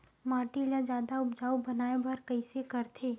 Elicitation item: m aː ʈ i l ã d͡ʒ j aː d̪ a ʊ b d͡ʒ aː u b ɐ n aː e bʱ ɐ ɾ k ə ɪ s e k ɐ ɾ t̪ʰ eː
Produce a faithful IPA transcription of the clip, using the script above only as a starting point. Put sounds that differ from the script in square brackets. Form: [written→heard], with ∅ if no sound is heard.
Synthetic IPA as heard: m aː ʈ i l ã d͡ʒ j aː d̪ a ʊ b d͡ʒ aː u b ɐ n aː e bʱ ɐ ɾ k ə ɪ s e k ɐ ɾ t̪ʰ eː